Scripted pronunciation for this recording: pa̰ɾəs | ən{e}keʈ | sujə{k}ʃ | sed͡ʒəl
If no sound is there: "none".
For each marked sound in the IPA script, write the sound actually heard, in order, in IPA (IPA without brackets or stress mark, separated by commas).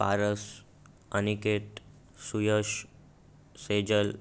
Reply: i, none